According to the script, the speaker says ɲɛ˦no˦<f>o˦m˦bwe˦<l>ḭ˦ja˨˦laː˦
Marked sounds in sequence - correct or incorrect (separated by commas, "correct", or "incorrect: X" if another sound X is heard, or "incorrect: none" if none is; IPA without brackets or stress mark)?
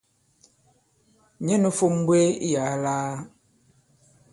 correct, incorrect: none